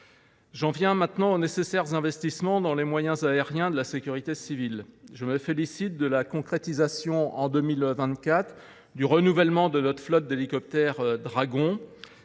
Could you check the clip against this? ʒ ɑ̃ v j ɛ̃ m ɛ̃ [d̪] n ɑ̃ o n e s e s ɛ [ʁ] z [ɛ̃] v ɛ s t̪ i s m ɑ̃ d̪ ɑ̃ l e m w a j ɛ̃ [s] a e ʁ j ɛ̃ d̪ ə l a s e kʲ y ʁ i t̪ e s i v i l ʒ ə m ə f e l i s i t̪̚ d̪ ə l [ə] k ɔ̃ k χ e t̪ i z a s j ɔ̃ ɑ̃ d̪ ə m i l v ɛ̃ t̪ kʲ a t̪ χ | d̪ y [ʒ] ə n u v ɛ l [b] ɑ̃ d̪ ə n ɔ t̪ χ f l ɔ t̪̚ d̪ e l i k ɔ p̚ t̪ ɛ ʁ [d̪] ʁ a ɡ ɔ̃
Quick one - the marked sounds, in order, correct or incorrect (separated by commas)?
incorrect, correct, correct, incorrect, incorrect, incorrect, incorrect, correct